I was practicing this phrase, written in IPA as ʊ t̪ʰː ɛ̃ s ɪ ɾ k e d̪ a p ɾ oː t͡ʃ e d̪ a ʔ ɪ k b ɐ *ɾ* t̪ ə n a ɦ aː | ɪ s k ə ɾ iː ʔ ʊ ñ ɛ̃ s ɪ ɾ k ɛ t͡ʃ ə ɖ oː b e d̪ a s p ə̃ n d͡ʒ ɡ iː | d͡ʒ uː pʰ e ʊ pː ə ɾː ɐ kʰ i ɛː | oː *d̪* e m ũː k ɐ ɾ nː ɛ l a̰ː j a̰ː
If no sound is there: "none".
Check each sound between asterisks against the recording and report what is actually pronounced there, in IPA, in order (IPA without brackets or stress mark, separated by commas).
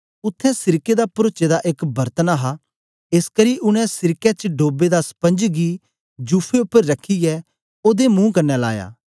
ɾ, d̪